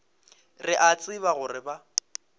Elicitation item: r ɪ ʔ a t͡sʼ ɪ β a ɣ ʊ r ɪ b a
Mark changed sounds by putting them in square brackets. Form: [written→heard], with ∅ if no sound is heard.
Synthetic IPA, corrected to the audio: r ɪ ʔ a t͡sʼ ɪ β a ɣ ʊ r ɪ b a